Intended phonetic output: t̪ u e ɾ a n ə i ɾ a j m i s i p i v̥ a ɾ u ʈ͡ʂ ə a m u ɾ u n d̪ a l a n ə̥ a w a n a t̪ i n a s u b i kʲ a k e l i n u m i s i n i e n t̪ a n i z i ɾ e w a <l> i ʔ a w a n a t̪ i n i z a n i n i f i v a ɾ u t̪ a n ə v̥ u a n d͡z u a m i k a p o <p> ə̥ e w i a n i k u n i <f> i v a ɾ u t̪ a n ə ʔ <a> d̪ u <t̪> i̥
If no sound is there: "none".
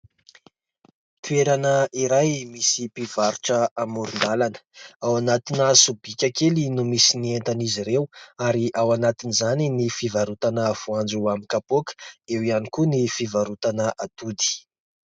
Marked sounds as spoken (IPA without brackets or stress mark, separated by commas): ɾ, k, f, a, d̪